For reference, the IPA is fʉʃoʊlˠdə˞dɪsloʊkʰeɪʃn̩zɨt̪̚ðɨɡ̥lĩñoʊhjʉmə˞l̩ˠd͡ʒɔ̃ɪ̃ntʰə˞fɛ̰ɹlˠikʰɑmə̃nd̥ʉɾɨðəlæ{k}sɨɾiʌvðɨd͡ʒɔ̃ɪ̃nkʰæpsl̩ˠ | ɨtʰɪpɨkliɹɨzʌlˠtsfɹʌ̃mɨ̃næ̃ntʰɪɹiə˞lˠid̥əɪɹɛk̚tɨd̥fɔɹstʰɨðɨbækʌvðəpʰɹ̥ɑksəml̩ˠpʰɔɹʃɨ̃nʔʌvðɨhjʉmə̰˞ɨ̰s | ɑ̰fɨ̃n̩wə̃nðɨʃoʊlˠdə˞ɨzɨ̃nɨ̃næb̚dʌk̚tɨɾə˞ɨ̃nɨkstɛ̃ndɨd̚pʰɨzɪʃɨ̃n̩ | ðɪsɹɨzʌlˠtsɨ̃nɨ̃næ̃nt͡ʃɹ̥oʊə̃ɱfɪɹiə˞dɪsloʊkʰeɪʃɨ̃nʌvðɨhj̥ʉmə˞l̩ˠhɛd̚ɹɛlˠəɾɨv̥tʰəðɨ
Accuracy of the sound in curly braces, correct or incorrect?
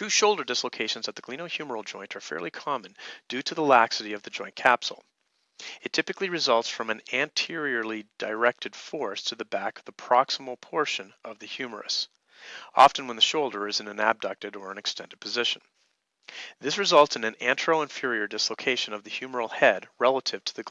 correct